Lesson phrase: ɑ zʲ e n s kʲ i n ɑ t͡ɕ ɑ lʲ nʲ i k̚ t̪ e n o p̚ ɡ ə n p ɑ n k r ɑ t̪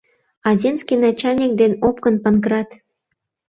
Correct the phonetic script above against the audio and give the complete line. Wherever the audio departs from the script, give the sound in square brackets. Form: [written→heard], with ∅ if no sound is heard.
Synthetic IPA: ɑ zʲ e n s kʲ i n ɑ t͡ɕ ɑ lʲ nʲ i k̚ [t̪→d̪] e n o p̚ [ɡ→k] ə n p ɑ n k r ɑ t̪